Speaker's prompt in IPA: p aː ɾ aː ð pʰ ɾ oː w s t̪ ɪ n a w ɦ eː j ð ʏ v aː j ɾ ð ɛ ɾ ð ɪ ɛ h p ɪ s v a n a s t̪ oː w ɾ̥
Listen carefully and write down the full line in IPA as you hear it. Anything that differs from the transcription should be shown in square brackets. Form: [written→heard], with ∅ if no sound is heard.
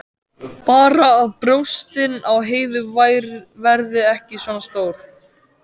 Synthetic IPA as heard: p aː ɾ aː ð [pʰ→p] ɾ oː w s t̪ ɪ n a w ɦ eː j ð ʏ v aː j ɾ [ð→v] ɛ ɾ ð ɪ ɛ h [p→c] ɪ s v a n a s t̪ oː w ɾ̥